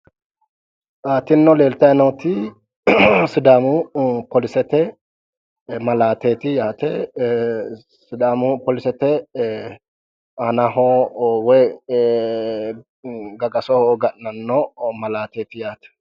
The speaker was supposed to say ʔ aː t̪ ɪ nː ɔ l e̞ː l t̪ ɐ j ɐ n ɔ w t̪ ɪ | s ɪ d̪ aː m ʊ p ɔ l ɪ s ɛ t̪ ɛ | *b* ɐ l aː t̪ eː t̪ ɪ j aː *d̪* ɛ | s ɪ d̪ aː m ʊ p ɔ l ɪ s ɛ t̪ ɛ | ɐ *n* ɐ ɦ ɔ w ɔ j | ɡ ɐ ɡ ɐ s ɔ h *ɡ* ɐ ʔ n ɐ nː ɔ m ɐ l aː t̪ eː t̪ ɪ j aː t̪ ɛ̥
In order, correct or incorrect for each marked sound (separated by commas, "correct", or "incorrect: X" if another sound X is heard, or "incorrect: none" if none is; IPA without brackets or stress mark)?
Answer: incorrect: m, incorrect: t̪, correct, correct